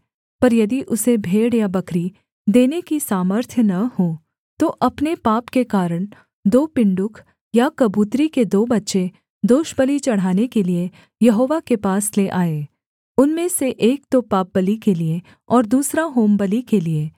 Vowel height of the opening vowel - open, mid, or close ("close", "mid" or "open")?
open